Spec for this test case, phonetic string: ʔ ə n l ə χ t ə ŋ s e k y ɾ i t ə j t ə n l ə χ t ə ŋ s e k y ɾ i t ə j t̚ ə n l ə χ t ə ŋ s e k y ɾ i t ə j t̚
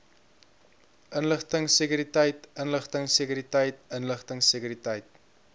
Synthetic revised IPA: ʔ ə n l ə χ t ə ŋ s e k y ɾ i t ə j t ə n l ə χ t ə ŋ s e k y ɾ i t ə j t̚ ə n l ə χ t ə ŋ s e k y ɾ i t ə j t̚